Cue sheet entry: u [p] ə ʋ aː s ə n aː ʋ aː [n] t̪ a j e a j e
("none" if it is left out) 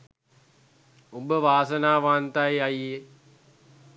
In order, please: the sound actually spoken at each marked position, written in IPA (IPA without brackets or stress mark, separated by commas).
b, n